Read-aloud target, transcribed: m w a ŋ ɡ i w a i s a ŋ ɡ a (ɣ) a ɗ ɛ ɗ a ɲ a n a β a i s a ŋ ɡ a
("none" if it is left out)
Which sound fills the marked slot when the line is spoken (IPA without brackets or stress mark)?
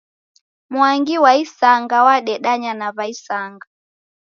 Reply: w